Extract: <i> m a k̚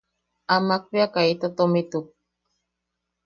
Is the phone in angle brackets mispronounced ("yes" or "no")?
yes